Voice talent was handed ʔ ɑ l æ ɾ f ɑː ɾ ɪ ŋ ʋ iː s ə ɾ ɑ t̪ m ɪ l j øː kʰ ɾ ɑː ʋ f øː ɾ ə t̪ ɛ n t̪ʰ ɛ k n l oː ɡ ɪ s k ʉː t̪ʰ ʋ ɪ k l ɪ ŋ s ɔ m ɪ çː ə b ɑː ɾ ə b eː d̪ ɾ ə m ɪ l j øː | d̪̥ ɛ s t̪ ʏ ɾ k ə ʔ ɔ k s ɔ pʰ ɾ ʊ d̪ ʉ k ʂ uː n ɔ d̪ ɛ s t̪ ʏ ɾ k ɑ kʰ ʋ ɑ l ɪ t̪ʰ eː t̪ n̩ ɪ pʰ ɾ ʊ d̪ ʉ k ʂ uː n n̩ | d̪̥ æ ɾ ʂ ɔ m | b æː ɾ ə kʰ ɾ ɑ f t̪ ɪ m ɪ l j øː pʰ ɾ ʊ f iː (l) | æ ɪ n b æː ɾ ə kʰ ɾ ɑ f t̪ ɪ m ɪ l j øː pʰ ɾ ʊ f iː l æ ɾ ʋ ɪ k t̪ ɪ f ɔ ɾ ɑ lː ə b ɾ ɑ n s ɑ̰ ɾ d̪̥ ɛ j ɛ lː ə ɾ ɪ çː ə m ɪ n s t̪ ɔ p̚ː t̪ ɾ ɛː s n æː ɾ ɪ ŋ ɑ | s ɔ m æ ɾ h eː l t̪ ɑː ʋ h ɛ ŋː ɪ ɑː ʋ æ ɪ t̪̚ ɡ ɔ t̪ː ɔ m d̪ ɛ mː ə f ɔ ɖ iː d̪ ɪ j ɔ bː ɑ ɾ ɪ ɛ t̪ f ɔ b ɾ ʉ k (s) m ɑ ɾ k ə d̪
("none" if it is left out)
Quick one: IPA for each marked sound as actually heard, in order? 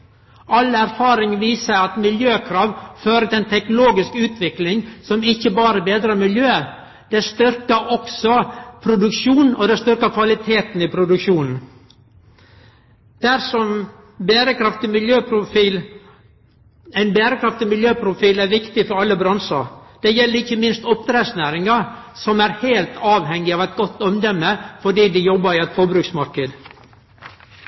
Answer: l, s

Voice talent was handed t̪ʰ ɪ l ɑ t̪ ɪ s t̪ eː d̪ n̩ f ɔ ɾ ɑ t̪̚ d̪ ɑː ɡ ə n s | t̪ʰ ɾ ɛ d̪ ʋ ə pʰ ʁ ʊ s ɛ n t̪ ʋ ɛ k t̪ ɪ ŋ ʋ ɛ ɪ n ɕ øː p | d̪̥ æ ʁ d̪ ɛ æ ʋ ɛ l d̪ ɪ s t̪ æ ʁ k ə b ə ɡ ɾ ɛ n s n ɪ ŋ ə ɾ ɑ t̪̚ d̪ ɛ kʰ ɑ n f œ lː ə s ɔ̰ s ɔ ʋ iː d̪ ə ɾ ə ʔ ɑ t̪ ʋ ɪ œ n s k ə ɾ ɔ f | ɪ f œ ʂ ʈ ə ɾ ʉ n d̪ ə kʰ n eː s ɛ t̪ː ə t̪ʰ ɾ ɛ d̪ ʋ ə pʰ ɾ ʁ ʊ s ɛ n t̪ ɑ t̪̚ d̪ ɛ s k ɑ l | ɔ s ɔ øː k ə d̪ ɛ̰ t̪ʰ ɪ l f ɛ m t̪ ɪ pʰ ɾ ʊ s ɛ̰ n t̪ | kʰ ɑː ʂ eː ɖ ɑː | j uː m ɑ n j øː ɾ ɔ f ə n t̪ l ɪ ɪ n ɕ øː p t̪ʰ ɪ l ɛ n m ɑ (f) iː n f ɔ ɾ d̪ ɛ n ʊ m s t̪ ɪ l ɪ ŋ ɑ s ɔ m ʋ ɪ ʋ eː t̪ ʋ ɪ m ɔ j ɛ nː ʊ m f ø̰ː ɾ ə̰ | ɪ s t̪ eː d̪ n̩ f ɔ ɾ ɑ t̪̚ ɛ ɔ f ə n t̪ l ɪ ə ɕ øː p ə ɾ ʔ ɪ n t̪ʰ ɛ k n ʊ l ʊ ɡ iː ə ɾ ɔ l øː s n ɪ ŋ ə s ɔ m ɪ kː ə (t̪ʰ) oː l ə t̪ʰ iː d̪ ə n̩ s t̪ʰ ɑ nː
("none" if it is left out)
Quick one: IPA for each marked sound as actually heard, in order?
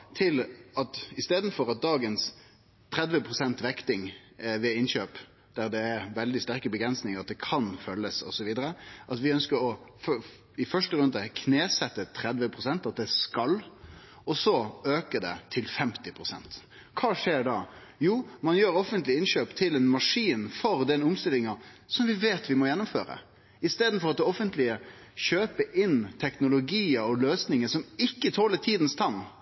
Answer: ʂ, t̪ʰ

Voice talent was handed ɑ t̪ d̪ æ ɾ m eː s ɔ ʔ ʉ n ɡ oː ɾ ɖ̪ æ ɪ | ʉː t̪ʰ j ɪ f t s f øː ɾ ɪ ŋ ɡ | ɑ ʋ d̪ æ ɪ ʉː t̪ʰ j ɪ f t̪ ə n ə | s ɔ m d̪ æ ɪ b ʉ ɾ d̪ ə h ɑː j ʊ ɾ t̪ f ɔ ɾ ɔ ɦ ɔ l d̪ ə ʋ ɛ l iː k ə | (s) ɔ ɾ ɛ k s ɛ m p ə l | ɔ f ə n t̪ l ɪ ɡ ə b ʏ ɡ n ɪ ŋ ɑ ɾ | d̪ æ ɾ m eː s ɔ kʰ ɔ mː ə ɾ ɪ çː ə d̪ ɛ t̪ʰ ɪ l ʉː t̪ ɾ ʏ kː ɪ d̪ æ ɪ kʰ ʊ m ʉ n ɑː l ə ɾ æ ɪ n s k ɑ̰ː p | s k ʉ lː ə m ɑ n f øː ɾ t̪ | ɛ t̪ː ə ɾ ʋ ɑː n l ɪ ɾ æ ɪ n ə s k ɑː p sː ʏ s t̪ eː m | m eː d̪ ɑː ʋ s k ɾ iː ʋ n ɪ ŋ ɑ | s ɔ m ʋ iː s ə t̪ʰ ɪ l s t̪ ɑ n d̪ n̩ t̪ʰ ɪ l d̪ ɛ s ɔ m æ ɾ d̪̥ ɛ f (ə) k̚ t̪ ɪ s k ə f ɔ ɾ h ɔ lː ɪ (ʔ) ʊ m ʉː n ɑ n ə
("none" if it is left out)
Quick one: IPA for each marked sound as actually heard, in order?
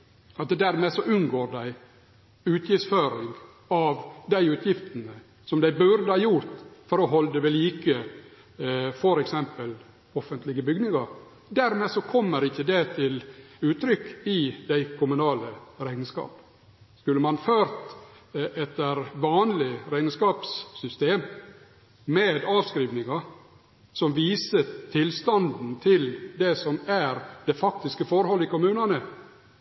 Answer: f, ɑ, k

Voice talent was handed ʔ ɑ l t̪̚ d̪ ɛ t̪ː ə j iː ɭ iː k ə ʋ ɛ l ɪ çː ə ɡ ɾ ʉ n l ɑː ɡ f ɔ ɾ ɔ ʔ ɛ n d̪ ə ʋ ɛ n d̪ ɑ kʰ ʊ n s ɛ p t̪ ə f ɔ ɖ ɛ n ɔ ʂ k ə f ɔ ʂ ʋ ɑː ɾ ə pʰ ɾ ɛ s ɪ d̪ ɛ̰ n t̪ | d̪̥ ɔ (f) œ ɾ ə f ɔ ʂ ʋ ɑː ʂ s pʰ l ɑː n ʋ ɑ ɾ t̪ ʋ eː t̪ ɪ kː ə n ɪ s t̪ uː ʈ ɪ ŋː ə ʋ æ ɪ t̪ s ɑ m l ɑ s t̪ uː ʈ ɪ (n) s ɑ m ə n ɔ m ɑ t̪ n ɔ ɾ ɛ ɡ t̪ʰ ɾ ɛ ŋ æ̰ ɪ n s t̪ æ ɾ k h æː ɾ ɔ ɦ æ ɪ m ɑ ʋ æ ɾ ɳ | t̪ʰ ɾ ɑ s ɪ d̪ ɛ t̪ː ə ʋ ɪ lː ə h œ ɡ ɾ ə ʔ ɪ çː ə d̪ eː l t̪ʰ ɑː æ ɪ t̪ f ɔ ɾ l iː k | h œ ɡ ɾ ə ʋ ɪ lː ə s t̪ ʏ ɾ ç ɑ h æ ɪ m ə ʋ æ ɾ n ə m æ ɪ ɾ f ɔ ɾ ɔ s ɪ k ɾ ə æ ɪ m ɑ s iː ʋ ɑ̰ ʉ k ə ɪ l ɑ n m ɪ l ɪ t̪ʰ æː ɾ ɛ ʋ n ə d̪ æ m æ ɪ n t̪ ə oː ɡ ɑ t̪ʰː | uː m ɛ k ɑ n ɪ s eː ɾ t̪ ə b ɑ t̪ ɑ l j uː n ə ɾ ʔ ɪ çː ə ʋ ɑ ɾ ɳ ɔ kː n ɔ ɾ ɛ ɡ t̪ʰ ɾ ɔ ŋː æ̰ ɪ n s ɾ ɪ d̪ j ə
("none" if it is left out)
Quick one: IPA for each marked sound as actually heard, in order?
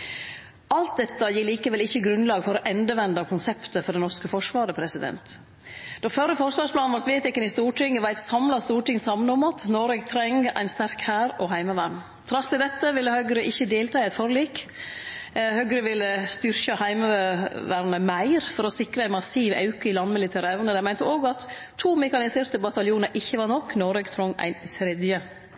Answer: f, ŋ

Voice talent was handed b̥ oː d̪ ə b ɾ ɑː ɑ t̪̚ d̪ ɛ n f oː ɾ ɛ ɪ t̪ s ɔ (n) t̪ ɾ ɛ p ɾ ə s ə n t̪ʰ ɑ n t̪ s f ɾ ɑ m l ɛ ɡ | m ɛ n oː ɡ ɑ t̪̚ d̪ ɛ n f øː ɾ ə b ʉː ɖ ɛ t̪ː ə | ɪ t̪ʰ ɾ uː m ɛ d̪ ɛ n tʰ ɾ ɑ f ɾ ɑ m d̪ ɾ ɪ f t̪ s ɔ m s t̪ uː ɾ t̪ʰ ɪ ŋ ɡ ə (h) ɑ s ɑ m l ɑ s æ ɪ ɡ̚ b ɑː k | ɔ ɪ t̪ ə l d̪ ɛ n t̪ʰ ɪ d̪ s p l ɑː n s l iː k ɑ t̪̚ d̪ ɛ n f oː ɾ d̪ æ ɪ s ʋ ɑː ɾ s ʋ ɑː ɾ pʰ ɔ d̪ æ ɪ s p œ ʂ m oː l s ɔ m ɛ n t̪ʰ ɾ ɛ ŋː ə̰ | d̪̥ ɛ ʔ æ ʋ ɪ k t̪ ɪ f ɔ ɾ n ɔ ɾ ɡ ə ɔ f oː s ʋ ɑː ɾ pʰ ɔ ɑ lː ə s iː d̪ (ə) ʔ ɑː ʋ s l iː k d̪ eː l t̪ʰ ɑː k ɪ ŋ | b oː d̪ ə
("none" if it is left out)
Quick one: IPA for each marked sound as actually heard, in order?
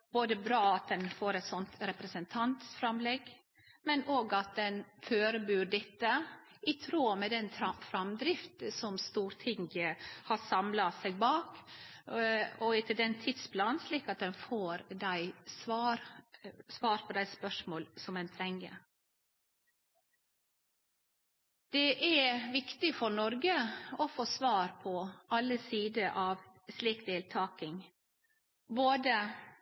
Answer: n, h, ə

